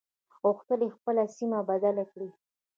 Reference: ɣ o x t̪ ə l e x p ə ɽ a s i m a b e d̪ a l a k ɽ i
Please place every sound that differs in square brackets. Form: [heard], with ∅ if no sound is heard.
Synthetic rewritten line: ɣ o x t̪ ə l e x p ə [l] a s i m a b [a] d̪ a l a k ɽ i